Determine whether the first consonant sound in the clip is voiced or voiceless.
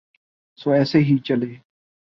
voiceless